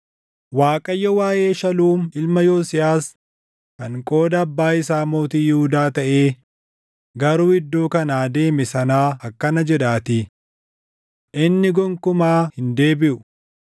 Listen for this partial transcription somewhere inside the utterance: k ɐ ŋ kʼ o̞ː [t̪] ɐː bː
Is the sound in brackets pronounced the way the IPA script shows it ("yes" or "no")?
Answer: no